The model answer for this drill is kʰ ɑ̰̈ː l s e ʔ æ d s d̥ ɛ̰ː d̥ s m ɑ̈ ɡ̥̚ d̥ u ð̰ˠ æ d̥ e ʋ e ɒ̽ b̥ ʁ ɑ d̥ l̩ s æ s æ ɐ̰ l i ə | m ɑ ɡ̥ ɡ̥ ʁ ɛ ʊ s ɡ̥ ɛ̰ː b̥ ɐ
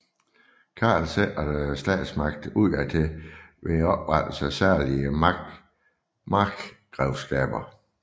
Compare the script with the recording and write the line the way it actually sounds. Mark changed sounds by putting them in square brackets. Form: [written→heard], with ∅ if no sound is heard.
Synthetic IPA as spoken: kʰ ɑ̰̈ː l s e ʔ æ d s d̥ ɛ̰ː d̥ s m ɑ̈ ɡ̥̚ d̥ u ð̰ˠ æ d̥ e ʋ e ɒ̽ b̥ ʁ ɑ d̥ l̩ s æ s æ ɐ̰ l i ə | m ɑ ɡ̥ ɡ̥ ʁ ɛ ʊ s ɡ̥ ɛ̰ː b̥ ɐ